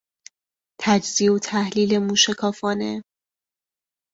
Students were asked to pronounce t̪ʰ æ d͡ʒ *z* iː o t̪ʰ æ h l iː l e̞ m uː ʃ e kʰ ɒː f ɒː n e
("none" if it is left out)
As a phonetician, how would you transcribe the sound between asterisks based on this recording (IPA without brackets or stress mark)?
z